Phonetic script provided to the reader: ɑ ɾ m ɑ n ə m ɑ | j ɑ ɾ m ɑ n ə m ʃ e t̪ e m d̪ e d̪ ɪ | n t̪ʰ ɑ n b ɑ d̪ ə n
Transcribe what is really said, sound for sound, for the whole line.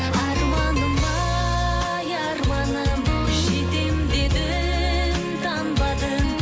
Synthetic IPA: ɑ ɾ m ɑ n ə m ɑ | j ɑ ɾ m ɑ n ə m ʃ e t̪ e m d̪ e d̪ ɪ | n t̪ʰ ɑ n b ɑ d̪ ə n

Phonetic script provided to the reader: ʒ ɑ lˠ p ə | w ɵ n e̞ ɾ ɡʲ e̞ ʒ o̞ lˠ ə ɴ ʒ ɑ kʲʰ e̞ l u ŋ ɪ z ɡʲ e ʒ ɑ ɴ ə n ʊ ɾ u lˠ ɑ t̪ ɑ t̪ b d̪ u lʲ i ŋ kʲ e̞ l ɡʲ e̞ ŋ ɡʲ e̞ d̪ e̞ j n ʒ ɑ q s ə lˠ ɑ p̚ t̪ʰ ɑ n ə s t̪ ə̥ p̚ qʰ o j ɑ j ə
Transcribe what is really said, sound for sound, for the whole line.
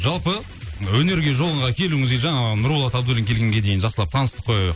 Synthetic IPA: ʒ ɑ lˠ p ə | w ɵ n e̞ ɾ ɡʲ e̞ ʒ o̞ lˠ ə ɴ ʁ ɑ kʲʰ e̞ l u ŋ ɪ z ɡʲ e ʒ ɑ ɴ ɑ n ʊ ɾ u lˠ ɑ t̪ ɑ b d̪ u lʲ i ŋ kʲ e̞ l ɡʲ e̞ ŋ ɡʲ e̞ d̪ e̞ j n ʒ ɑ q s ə lˠ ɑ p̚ t̪ʰ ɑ n ə s t̪ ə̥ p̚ qʰ o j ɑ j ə

